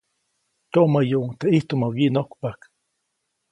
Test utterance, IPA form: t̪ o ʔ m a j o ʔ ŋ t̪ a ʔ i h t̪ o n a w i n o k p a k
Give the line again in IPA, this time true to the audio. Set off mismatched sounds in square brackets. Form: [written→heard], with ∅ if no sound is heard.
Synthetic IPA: t̪ o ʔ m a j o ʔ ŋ t̪ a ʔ i h t̪ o [n→m] a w i n o k p a k